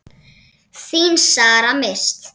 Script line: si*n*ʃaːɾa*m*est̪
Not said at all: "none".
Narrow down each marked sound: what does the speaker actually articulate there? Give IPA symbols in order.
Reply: n, m

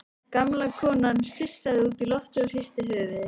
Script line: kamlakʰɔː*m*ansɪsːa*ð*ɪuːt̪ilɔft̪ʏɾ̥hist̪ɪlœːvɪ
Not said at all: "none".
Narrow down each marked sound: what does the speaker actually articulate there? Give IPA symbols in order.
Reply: n, ð

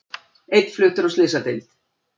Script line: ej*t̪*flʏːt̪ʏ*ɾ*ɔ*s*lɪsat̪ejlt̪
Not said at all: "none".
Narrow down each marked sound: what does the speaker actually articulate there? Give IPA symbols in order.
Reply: t̪, ɾ, s

